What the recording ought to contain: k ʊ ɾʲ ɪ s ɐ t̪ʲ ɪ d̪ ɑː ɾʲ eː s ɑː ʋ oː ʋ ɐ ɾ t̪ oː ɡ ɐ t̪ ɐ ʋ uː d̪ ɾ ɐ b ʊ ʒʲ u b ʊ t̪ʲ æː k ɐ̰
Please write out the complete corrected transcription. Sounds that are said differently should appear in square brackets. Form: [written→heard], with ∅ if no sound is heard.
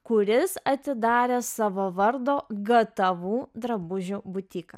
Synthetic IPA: k ʊ ɾʲ ɪ s ɐ t̪ʲ ɪ d̪ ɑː ɾʲ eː s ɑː ʋ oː ʋ ɐ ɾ [t̪→d̪] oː ɡ ɐ t̪ ɐ ʋ uː d̪ ɾ ɐ b ʊ ʒʲ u b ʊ t̪ʲ [æː→iː] k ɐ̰